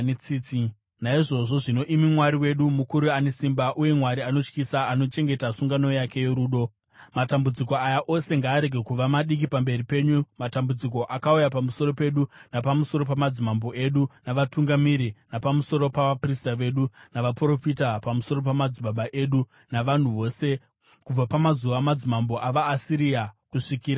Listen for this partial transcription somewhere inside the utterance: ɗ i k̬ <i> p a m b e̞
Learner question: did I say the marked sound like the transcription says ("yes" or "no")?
yes